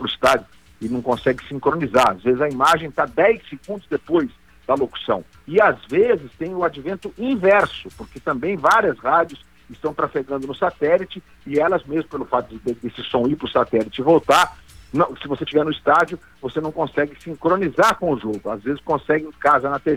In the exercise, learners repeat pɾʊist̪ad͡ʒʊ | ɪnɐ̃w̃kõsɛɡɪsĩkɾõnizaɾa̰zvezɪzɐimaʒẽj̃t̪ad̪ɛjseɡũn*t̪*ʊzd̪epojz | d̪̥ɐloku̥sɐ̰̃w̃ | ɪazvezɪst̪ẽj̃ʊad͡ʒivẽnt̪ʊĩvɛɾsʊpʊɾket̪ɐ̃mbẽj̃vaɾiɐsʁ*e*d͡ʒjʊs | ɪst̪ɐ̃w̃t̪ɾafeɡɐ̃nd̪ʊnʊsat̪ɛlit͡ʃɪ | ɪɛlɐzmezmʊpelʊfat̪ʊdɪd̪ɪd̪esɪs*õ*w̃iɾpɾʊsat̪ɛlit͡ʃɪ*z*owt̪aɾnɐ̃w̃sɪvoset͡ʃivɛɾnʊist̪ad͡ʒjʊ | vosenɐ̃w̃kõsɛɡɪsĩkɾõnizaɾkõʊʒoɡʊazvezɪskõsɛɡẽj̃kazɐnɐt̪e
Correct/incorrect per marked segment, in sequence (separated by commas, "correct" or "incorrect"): incorrect, incorrect, correct, incorrect